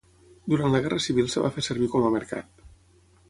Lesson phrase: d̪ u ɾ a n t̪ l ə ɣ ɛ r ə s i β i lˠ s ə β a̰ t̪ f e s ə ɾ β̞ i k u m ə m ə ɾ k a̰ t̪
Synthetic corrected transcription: d̪ u ɾ a n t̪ l ə ɣ ɛ r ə s i β i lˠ s ə β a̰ f e s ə ɾ β̞ i k ɔ m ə m ə ɾ k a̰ t̪